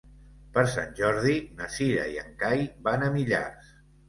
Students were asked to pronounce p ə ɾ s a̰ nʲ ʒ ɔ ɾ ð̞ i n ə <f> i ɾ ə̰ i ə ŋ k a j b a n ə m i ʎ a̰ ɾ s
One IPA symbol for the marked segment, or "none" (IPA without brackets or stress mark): s